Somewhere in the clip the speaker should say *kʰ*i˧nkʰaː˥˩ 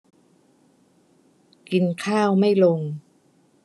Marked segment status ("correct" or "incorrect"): incorrect